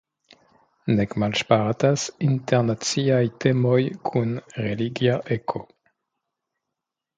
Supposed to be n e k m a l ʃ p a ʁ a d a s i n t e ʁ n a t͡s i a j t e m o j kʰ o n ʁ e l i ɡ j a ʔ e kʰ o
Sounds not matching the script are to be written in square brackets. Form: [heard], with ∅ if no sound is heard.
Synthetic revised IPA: n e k m a l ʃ p a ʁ a [t] a s i n t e ʁ n a t͡s i a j t e m o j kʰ [u] n ʁ e l i ɡ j a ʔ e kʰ o